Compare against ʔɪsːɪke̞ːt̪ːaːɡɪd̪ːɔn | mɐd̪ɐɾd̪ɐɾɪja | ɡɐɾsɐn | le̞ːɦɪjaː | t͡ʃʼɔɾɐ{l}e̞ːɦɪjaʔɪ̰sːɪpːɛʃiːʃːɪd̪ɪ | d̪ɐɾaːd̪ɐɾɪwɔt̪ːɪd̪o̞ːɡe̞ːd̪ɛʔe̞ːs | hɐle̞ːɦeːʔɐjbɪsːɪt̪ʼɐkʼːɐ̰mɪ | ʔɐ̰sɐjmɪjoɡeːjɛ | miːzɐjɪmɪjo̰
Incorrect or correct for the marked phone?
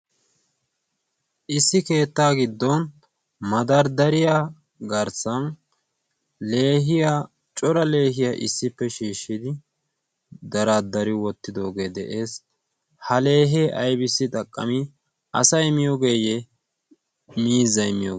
correct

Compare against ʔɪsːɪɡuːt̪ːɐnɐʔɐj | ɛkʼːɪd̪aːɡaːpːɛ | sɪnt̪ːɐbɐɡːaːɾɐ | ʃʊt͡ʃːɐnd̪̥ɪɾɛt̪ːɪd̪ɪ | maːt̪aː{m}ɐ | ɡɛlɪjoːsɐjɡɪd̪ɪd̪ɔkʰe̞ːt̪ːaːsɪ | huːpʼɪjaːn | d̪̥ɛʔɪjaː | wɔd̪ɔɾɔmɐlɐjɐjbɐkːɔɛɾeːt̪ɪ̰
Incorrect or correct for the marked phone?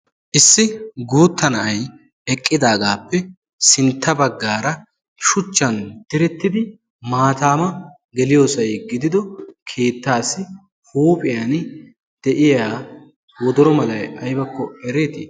correct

